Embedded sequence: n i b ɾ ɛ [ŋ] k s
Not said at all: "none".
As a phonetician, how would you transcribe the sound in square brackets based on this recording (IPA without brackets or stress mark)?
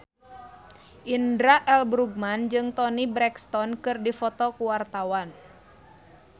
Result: none